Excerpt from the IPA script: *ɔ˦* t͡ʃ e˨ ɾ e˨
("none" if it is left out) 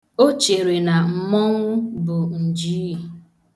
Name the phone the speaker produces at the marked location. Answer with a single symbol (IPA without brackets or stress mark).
o˦